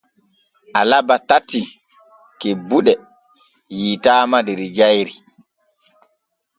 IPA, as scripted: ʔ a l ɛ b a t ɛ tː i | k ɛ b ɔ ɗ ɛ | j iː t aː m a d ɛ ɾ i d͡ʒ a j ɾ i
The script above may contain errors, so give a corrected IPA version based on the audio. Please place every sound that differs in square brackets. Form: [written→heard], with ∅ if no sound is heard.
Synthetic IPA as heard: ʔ a l [ɛ→a] b a t [ɛ→a] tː i | k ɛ b [ɔ→u] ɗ ɛ | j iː t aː m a d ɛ ɾ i d͡ʒ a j ɾ i

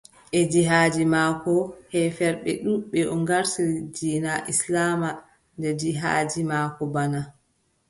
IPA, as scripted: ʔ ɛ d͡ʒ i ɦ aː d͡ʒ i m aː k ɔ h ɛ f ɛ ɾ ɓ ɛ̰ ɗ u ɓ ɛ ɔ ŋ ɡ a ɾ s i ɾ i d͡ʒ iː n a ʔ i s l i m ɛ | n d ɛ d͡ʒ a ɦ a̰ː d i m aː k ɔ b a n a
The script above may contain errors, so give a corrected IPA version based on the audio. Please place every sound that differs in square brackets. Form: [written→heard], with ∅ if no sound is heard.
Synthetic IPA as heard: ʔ ɛ d͡ʒ i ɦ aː d͡ʒ i m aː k ɔ h ɛ f ɛ ɾ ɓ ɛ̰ ɗ u ɓ ɛ ɔ ŋ ɡ a ɾ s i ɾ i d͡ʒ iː n a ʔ i s l [i→a] m [ɛ→a] | n d ɛ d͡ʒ [a→i] ɦ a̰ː [d→d͡ʒ] i m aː k ɔ b a n a

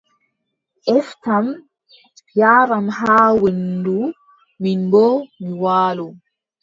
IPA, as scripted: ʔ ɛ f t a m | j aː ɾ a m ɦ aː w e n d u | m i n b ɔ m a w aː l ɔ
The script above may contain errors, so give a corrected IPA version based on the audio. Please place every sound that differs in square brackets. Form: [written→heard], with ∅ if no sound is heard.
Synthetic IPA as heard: ʔ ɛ f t a m | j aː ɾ a m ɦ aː w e n d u | m i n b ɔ m [a→i] w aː l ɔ

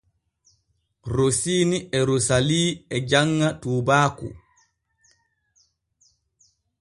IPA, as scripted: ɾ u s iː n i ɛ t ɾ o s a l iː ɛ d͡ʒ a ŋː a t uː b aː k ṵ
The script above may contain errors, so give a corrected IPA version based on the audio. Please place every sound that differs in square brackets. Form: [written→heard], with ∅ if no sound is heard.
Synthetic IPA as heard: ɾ [u→o] s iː n i ɛ [t→∅] ɾ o s a l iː ɛ d͡ʒ a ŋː a t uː b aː k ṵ

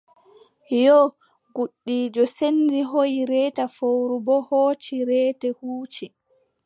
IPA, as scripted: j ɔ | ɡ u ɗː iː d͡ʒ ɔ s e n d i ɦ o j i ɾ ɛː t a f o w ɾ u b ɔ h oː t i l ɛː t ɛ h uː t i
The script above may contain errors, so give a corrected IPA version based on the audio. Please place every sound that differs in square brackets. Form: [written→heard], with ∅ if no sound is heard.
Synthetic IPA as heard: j ɔ | ɡ u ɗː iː d͡ʒ ɔ s e n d i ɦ o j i ɾ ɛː t a f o w ɾ u b ɔ h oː [t→t͡ʃ] i [l→ɾ] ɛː t ɛ h uː [t→t͡ʃ] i

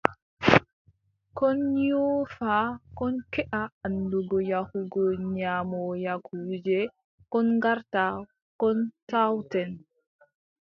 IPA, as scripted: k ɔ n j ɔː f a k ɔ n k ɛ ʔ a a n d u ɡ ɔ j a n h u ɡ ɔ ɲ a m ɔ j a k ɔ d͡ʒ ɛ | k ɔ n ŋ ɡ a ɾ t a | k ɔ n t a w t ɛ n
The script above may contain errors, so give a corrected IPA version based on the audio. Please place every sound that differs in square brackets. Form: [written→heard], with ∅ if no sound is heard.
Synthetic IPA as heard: k ɔ n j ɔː f a k ɔ n k ɛ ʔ a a n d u ɡ ɔ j a [n→∅] h u ɡ ɔ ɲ a m ɔ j a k [ɔ→u] d͡ʒ ɛ | k ɔ n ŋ ɡ a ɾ t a | k ɔ n t a w t ɛ n

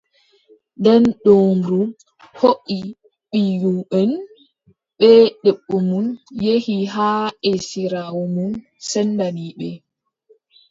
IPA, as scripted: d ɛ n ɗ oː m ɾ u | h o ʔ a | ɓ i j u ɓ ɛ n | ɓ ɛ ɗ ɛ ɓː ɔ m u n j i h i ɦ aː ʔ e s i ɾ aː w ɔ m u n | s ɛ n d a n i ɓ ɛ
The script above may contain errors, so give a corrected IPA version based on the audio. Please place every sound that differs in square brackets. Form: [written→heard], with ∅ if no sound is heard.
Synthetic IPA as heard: d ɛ n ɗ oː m ɾ u | h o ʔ [a→i] | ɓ i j u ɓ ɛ n | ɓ ɛ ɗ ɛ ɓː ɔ m u n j [i→e] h i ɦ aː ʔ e s i ɾ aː w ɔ m u n | s ɛ n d a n i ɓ ɛ

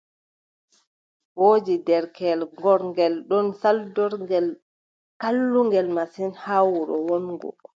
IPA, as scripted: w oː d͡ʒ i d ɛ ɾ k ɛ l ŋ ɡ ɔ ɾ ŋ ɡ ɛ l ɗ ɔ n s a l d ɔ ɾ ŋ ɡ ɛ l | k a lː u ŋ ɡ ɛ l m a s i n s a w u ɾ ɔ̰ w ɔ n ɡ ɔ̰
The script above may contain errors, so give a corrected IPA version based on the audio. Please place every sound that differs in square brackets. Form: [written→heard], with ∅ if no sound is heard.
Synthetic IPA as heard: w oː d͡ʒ i d ɛ ɾ k ɛ l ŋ ɡ ɔ ɾ ŋ ɡ ɛ l ɗ ɔ n s a l d ɔ ɾ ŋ ɡ ɛ l | k a lː u ŋ ɡ ɛ l m a s i n [s→h] a w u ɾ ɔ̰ w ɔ n ɡ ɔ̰

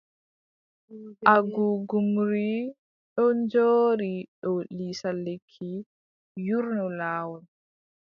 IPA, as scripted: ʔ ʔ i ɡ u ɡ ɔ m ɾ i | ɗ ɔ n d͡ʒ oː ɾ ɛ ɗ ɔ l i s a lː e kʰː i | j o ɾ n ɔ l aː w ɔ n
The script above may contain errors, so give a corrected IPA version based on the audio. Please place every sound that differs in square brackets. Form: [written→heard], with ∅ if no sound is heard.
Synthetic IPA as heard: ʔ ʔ [i→a] ɡ u ɡ [ɔ→u] m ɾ i | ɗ ɔ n d͡ʒ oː ɾ [ɛ→i] ɗ ɔ l i s a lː e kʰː i | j [o→u] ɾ n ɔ l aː w ɔ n

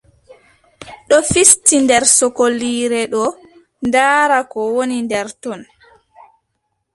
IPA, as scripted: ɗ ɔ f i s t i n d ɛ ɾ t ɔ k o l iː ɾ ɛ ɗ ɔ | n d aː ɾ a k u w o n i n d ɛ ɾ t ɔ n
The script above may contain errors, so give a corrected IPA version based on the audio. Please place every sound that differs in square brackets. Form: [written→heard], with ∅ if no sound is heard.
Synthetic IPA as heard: ɗ ɔ f i s t i n d ɛ ɾ [t→s] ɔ k o l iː ɾ ɛ ɗ ɔ | n d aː ɾ a k [u→ɔ] w o n i n d ɛ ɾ t ɔ n

